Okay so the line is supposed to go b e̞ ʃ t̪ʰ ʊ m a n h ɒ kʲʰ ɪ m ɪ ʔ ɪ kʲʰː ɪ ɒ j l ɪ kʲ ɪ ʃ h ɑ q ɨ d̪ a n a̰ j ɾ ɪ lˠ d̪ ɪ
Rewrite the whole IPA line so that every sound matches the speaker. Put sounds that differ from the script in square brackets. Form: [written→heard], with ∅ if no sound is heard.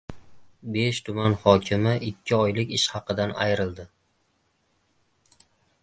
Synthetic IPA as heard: b e̞ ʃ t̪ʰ ʊ m a n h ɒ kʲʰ ɪ m ɪ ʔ ɪ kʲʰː ɪ ɒ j l ɪ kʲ ɪ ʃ h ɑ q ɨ d̪ a n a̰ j ɾ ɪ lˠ d̪ ɪ